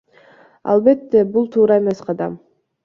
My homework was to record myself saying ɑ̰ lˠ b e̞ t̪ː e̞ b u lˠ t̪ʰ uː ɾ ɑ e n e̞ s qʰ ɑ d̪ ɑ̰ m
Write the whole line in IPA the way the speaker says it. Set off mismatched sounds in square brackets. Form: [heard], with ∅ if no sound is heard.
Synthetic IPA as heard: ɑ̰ lˠ b e̞ t̪ː e̞ b u lˠ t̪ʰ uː ɾ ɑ e [m] e̞ s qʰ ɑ d̪ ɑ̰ m